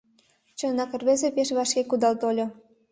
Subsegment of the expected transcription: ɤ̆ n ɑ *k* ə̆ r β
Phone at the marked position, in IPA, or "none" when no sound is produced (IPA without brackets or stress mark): k